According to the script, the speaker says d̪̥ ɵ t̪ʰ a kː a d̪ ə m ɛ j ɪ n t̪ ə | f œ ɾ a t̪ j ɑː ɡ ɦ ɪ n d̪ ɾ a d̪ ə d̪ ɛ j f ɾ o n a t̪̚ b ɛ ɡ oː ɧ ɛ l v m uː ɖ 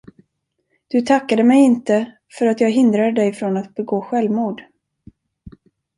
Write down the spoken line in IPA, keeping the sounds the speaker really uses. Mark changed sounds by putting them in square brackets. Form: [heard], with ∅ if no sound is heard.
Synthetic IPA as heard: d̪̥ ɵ t̪ʰ a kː a d̪ ə m ɛ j ɪ n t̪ ə | f œ ɾ a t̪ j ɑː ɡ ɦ ɪ n d̪ ɾ a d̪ ə d̪ ɛ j f ɾ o n a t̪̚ b ɛ ɡ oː ɧ ɛ l v m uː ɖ